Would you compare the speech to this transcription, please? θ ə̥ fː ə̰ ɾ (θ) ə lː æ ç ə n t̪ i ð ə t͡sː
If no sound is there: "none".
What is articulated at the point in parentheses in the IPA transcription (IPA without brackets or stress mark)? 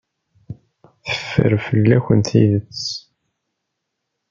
f